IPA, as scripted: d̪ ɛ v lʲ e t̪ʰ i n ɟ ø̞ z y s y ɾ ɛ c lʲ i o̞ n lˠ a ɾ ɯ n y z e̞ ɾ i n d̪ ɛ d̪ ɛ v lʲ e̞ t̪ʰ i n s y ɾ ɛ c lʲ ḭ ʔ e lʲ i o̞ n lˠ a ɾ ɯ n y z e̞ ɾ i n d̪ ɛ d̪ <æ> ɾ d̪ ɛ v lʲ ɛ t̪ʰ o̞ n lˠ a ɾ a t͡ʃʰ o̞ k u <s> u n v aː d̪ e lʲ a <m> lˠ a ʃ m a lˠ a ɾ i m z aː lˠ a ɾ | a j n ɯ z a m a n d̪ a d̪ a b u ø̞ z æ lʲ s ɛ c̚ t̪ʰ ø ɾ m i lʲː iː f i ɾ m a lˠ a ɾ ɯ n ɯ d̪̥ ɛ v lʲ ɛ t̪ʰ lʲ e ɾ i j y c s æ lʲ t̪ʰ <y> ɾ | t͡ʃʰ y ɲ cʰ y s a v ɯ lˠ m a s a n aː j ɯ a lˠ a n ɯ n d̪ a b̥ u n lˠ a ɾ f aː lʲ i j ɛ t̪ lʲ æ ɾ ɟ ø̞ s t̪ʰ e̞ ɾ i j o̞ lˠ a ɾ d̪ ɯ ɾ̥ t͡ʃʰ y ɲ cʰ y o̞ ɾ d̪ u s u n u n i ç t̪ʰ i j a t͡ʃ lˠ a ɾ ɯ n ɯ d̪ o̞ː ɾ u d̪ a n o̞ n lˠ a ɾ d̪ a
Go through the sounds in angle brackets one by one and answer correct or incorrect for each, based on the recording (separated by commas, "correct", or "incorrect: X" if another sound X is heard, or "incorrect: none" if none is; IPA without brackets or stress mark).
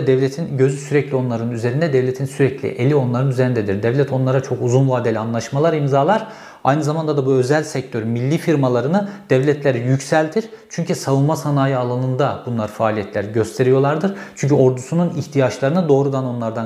incorrect: i, incorrect: z, incorrect: n, incorrect: i